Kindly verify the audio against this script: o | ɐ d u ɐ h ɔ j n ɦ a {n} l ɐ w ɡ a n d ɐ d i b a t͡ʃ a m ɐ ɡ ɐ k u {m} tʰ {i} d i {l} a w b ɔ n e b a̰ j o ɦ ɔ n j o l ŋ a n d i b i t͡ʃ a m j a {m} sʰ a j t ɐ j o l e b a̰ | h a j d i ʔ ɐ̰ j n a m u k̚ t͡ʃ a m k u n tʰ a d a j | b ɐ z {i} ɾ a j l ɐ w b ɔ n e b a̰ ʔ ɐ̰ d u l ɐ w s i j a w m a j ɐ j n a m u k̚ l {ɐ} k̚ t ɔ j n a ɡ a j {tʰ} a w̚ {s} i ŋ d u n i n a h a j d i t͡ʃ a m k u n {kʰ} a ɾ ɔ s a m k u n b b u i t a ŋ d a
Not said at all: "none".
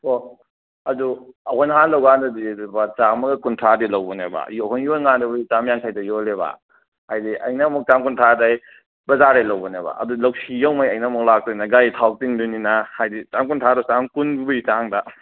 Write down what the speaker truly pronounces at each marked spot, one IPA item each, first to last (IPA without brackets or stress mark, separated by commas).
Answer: n, n, a, l, ŋ, a, a, tʰ, t, tʰ